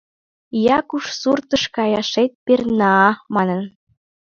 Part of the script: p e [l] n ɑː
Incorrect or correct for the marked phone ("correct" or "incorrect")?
incorrect